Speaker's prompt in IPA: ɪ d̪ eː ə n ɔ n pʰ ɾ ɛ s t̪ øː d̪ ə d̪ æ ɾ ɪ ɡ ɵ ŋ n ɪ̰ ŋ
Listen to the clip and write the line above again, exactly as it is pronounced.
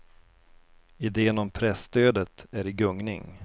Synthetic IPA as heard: ɪ d̪ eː ə n ɔ m pʰ ɾ ɛ s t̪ øː d̪ ə t̪ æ ɾ ɪ ɡ ɵ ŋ n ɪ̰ ŋ